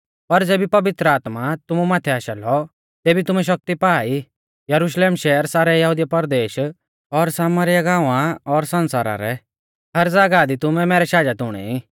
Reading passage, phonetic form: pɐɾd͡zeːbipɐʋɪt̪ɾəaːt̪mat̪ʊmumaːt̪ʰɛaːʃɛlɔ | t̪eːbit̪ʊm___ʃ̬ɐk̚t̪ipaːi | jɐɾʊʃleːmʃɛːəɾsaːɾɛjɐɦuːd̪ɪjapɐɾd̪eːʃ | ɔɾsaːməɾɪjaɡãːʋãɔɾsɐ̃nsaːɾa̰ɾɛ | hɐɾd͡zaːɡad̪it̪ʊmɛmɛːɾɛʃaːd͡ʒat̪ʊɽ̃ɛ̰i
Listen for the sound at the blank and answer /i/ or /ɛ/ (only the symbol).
ɛ